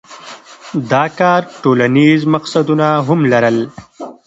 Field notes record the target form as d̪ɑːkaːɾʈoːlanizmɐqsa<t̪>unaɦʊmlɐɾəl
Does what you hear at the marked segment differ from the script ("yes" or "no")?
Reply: yes